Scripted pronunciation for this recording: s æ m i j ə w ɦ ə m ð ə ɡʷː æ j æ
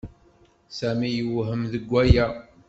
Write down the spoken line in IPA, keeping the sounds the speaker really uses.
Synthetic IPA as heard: s æ m i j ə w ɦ ə m ð ə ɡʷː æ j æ